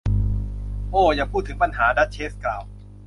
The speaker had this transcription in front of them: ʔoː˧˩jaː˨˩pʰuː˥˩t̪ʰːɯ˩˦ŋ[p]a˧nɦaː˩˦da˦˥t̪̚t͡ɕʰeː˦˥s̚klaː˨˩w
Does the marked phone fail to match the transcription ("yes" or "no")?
no